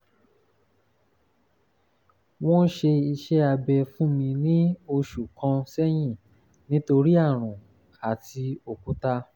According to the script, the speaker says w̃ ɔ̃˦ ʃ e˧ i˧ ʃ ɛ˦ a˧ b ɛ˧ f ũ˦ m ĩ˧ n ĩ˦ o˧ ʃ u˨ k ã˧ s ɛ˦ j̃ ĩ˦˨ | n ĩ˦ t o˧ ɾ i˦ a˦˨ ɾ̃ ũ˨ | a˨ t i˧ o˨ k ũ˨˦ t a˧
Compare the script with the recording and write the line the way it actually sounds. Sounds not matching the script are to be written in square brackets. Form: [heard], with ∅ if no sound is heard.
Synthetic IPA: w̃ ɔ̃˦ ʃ e˧ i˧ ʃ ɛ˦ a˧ b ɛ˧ f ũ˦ m ĩ˧ n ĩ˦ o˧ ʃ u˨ k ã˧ s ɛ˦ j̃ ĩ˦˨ | n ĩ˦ t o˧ ɾ i˦ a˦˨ ɾ̃ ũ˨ | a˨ t i˧ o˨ k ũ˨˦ t a˧

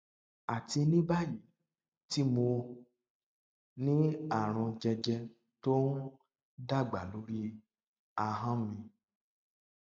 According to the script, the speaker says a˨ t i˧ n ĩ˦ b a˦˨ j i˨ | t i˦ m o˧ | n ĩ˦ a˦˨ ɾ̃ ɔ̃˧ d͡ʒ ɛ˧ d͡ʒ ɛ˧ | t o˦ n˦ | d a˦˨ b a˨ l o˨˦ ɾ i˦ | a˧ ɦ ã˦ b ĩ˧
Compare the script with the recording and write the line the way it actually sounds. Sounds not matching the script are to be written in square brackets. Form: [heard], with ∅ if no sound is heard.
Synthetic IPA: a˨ t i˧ n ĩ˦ b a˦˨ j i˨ | t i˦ m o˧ | n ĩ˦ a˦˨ ɾ̃ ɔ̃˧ d͡ʒ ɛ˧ d͡ʒ ɛ˧ | t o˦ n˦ | d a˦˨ [ɡ͡b] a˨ l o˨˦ ɾ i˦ | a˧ ɦ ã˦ [m] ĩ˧

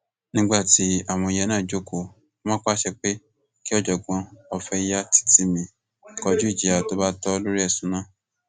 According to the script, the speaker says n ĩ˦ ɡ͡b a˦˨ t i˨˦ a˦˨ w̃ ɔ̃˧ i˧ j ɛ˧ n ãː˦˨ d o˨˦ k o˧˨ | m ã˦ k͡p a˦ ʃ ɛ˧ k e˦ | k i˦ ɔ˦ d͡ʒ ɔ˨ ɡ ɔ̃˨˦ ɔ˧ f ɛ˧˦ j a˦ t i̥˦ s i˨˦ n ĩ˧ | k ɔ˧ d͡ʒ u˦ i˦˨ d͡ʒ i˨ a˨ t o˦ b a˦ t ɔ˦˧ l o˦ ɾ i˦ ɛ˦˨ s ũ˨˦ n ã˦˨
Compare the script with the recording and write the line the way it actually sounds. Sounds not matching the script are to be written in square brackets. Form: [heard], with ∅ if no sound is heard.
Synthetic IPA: n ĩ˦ ɡ͡b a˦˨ t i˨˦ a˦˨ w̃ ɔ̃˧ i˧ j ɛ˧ n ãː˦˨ [d͡ʒ] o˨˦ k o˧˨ | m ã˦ k͡p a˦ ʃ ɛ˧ [k͡p] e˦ | k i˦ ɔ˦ d͡ʒ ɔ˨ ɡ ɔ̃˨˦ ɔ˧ f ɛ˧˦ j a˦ t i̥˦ [t] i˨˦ [m] ĩ˧ | k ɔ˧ d͡ʒ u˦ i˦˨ d͡ʒ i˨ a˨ t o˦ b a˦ t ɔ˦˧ l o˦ ɾ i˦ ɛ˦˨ s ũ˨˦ n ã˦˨

